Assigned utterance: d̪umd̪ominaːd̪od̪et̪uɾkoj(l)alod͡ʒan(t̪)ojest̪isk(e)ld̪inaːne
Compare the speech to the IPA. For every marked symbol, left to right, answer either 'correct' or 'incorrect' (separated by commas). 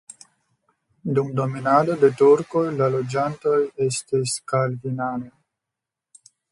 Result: correct, correct, incorrect